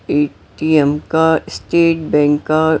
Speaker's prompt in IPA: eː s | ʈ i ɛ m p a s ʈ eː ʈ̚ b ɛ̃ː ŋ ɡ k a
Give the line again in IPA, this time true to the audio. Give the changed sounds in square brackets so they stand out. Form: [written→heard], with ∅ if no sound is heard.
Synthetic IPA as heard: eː [s→∅] | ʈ i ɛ m [p→k] a s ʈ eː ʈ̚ b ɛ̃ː ŋ [ɡ→k] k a